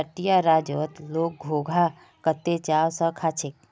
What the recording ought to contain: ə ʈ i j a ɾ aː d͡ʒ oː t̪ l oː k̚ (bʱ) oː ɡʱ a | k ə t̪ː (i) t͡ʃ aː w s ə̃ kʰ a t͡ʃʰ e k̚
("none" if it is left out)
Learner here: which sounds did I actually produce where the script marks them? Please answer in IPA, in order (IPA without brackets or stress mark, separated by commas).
ɡʱ, e